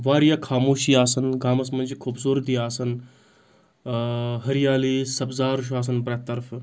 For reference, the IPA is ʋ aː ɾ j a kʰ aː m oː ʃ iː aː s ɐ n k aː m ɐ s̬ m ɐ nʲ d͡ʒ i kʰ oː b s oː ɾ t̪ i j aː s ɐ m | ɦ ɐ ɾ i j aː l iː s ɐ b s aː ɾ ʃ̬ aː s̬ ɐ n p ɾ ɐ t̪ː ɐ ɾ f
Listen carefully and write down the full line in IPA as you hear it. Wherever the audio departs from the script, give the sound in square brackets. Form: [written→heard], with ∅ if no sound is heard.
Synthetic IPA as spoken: ʋ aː ɾ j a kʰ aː m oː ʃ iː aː s ɐ n [k→ɡ] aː m ɐ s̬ m ɐ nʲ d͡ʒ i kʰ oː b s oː ɾ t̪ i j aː s ɐ [m→n] | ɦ ɐ ɾ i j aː l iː s ɐ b [s→z] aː ɾ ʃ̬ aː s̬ ɐ n p ɾ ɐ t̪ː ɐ ɾ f